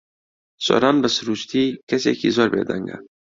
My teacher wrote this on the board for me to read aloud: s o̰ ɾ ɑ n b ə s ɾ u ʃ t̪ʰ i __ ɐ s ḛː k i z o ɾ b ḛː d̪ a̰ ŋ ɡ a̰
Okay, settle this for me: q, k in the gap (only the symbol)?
k